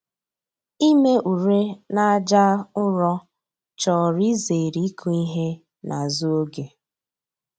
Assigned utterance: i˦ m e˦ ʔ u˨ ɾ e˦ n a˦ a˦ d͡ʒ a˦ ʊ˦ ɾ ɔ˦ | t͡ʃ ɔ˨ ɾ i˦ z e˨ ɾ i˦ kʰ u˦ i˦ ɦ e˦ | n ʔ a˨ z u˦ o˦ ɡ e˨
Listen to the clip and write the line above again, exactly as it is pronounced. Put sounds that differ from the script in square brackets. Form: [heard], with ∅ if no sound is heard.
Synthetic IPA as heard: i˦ m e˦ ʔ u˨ ɾ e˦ n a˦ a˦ d͡ʒ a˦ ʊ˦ ɾ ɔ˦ | t͡ʃ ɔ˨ ɾ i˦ z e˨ ɾ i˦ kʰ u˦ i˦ ɦ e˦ | n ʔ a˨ z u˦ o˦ ɡ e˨